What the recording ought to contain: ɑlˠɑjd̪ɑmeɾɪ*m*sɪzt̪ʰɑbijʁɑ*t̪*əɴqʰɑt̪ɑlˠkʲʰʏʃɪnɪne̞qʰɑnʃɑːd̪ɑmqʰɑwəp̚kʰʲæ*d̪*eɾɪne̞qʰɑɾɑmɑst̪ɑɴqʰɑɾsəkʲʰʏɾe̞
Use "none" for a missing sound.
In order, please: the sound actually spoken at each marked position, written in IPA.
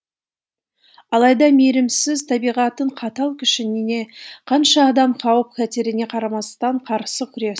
m, t̪, t̪

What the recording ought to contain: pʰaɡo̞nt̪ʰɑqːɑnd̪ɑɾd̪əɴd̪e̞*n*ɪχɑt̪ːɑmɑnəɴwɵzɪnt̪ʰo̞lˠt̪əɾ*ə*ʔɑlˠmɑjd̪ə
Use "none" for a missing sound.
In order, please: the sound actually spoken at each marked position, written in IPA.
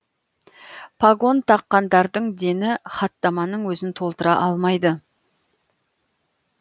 n, ɑ

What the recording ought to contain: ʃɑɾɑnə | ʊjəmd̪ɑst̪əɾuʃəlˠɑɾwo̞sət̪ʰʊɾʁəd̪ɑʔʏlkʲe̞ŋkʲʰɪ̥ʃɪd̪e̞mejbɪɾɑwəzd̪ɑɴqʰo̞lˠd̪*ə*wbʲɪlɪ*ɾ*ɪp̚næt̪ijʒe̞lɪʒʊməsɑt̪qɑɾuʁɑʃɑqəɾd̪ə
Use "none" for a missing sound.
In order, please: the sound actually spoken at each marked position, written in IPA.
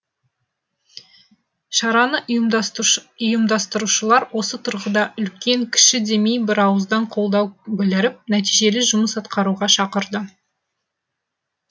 ɑ, ɾ

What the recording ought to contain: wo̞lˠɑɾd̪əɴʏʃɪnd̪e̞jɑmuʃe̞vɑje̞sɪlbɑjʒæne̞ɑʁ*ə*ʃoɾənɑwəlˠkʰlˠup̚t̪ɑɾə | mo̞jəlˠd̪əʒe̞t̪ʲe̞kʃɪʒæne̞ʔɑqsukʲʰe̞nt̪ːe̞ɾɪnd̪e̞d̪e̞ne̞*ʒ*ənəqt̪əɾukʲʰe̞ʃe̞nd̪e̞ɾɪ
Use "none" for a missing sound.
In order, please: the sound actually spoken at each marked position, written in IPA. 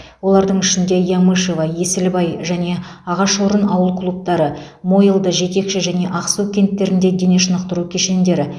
ɑ, ʃ

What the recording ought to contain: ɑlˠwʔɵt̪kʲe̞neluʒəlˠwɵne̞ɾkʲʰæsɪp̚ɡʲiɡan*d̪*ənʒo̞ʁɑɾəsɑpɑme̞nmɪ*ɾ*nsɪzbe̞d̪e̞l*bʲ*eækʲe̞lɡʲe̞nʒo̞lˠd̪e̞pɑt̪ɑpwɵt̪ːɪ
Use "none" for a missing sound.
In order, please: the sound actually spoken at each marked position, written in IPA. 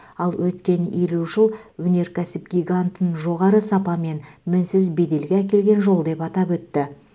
t̪, none, ɡʲ

